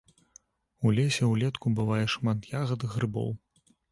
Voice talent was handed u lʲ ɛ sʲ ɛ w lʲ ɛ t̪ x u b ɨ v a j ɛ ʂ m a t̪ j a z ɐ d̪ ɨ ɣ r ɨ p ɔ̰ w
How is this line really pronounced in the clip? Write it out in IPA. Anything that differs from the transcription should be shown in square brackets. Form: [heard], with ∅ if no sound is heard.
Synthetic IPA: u lʲ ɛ sʲ ɛ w lʲ ɛ t̪ [k] u b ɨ v a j ɛ ʂ m a t̪ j a [ɣ] ɐ d̪ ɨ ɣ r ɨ [b] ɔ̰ w